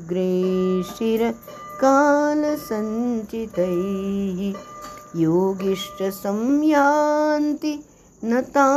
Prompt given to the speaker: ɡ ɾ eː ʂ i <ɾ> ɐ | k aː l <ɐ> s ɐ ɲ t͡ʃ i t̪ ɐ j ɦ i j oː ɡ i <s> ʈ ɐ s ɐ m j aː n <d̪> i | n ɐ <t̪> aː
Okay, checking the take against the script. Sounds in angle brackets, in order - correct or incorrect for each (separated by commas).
correct, correct, incorrect, incorrect, correct